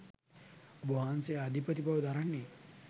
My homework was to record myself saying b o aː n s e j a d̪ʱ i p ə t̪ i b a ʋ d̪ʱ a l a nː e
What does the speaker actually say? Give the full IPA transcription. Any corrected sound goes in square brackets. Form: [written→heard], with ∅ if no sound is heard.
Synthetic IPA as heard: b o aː n s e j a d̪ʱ i p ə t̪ i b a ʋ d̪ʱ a [l→ɾ] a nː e